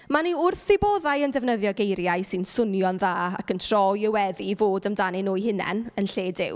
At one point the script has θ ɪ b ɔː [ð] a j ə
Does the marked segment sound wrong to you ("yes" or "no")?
no